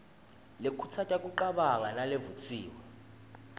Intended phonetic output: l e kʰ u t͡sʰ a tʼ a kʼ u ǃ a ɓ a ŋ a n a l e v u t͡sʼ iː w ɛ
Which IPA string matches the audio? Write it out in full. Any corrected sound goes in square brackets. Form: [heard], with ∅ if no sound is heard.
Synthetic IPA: l e kʰ u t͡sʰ a tʼ a kʼ u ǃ a ɓ a ŋ a n a l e v u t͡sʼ iː w ɛ